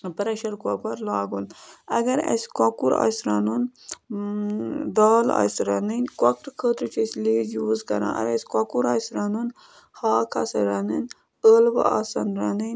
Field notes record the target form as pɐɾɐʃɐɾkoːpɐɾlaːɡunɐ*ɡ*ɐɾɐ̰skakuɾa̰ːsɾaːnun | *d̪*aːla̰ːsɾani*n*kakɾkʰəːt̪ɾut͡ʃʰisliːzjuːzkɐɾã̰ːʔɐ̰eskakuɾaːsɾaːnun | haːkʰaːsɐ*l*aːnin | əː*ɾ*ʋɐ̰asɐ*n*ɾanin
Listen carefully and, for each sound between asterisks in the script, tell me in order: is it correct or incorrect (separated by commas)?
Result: correct, correct, correct, incorrect, incorrect, correct